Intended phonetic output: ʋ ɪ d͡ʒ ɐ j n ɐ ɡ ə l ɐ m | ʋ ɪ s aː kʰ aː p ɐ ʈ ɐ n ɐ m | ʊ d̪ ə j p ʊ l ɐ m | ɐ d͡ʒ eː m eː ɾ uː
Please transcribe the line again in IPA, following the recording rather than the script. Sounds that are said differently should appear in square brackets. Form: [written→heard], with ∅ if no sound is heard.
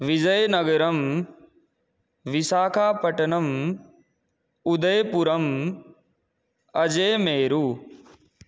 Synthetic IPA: ʋ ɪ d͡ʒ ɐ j n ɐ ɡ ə [l→ɾ] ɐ m | ʋ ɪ s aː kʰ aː p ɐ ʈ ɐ n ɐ m | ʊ d̪ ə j p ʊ [l→ɾ] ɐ m | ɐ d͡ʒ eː m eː ɾ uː